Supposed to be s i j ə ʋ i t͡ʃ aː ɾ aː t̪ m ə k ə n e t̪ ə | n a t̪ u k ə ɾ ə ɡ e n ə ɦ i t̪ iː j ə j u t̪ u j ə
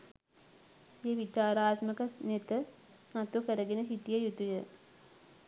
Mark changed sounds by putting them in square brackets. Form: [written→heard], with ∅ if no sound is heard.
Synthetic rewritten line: s i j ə ʋ i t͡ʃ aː ɾ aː t̪ m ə k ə n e t̪ ə | n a t̪ u k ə ɾ ə ɡ e n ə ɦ i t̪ [iː→i] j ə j u t̪ u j ə

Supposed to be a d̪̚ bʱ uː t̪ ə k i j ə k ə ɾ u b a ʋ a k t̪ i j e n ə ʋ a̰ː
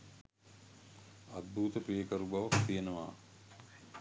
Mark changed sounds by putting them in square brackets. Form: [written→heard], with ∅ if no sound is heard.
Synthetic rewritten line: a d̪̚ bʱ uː t̪ ə [k→p] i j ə k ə ɾ u b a ʋ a k t̪ i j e n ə ʋ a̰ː

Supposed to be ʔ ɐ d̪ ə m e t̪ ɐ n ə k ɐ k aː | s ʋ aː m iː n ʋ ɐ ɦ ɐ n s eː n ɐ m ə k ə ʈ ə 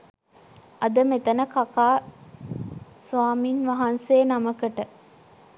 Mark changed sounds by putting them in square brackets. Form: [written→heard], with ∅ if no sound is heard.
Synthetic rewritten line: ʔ ɐ d̪ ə m e t̪ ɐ n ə k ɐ k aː | s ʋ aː m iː n ʋ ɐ ɦ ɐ n s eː n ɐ m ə k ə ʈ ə

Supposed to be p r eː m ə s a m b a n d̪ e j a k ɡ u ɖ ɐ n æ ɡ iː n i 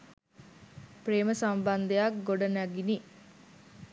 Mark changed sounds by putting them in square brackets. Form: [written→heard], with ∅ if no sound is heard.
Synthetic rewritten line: p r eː m ə s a m b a n d̪ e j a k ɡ [u→o] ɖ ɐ n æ ɡ [iː→i] n i

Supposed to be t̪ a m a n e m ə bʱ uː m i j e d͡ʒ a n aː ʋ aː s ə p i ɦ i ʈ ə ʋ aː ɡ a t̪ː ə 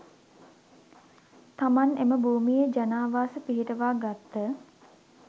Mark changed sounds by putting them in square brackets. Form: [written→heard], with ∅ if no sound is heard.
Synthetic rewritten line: t̪ a m a n e m ə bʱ uː m i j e d͡ʒ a n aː ʋ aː s ə p i ɦ i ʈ ə ʋ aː ɡ a t̪ː ə

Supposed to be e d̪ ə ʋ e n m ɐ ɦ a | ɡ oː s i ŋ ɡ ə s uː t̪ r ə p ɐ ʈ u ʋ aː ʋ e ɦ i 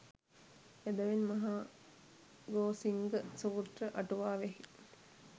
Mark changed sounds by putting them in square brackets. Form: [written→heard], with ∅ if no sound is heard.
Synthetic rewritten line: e d̪ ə ʋ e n m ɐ ɦ a | ɡ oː s i ŋ ɡ ə s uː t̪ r ə [p→ʔ] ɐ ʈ u ʋ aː ʋ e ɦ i

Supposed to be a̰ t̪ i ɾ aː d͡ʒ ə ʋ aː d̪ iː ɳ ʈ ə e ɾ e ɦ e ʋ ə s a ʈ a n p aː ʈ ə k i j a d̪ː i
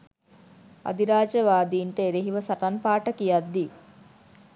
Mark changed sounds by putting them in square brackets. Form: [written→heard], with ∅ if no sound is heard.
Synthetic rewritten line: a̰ [t̪→d̪] i ɾ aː d͡ʒ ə ʋ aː d̪ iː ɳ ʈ ə e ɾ e ɦ [e→i] ʋ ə s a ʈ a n p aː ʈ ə k i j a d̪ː i

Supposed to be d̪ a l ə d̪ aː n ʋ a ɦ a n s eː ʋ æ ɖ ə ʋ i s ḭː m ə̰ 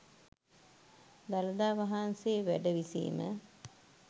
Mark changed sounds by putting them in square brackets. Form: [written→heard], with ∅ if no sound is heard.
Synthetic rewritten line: d̪ a l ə d̪ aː [n→∅] ʋ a ɦ a n s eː ʋ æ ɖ ə ʋ i s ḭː m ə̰

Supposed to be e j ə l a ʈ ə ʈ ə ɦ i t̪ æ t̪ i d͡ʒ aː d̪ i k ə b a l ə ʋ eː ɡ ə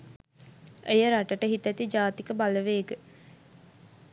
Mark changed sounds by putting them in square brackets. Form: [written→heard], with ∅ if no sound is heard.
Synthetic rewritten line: e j ə [l→ɾ] a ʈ ə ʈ ə ɦ i t̪ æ t̪ i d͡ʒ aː [d̪→t̪] i k ə b a l ə ʋ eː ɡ ə

